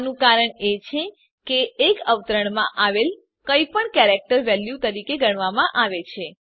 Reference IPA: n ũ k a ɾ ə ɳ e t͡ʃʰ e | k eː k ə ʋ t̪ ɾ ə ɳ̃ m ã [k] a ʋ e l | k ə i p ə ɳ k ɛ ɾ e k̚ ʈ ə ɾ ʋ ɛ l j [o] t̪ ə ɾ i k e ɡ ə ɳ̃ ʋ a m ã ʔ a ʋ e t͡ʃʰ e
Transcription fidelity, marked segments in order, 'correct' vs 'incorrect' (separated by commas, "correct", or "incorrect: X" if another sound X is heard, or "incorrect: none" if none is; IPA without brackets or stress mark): incorrect: ʔ, incorrect: u